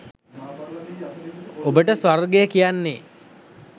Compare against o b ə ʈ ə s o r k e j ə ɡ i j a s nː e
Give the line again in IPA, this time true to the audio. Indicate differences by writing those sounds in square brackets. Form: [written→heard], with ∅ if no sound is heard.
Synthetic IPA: o b ə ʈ ə s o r [k→ɡ] e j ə [ɡ→k] i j a [s→∅] nː e